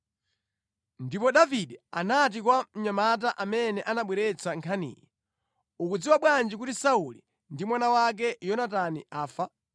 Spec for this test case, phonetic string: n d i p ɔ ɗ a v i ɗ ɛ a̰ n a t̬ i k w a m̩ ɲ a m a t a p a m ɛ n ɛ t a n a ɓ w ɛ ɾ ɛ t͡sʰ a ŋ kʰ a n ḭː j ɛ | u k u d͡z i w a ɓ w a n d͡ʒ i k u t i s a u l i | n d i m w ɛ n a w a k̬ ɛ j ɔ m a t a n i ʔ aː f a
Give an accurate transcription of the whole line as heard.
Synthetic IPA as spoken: n d i p ɔ ɗ a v i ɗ ɛ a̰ n a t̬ i k w a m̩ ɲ a m a t a ʔ a m ɛ n ɛ ʔ a n a ɓ w ɛ ɾ ɛ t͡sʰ a ŋ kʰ a n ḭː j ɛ | u k u d͡z i w a ɓ w a n d͡ʒ i k u t i s a u l i | n d i m w a n a w a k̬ ɛ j ɔ n a t a n i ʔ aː f a